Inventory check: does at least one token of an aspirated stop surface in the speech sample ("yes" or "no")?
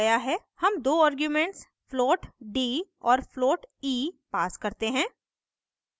no